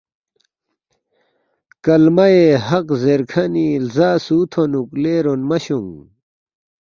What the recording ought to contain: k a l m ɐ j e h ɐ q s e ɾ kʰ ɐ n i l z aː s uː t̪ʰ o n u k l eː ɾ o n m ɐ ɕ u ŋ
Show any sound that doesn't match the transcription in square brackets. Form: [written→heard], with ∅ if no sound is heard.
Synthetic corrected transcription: k [a→ɐ] l m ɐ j e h ɐ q [s→z] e ɾ kʰ ɐ n i l z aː s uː t̪ʰ o n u k l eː ɾ o n m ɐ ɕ u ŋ

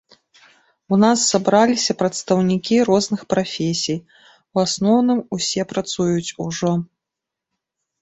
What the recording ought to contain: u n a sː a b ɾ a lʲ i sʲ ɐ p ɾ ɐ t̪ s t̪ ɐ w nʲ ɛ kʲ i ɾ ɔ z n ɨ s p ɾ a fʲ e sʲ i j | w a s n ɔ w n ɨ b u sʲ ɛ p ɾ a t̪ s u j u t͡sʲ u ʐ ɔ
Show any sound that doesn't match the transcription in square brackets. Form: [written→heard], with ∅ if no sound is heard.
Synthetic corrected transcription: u n a sː a b ɾ a lʲ i sʲ ɐ p ɾ ɐ t̪ s t̪ ɐ w nʲ [ɛ→i] kʲ i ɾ ɔ z n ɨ [s→x] p ɾ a fʲ e sʲ i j | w a s n ɔ w n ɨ [b→m] u sʲ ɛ p ɾ a t̪ s u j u t͡sʲ u ʐ ɔ

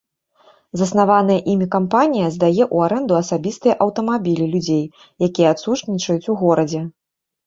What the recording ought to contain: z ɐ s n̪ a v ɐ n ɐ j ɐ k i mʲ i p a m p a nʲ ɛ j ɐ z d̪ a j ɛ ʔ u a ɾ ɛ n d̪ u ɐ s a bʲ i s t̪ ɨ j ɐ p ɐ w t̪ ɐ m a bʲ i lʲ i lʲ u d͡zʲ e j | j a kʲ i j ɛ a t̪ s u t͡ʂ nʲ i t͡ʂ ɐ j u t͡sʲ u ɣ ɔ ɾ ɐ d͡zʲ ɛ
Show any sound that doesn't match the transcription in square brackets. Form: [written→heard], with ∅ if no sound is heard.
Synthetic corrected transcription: z ɐ s n̪ a v [ɐ→a] n ɐ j ɐ [k→ʔ] i mʲ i [p→k] a m p a nʲ [ɛ→i] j ɐ z d̪ a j ɛ ʔ u a ɾ ɛ n d̪ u ɐ s a bʲ i s t̪ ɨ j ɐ [p→ʔ] ɐ w t̪ ɐ m a bʲ i lʲ i lʲ u d͡zʲ e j | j a kʲ i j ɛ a t̪ s u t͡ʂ nʲ i t͡ʂ ɐ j u t͡sʲ u ɣ ɔ ɾ ɐ d͡zʲ ɛ

